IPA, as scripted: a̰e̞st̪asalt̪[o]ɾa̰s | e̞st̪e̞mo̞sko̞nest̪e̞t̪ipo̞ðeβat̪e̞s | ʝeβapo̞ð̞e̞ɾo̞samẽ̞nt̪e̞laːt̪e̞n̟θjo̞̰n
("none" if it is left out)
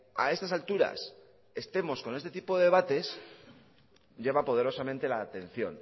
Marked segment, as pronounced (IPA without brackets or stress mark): u